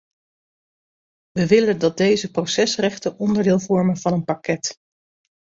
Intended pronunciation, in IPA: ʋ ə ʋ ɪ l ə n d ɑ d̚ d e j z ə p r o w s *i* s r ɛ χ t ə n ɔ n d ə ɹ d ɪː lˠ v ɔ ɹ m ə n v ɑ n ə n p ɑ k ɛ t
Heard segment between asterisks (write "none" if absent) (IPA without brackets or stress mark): ɛ